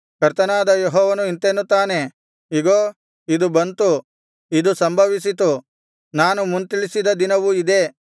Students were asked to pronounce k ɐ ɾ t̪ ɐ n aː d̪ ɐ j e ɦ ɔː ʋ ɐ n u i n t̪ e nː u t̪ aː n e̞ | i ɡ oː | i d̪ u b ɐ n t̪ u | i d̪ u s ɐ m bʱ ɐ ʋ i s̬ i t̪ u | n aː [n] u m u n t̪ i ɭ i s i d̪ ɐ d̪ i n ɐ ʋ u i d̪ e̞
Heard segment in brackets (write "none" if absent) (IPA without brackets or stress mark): n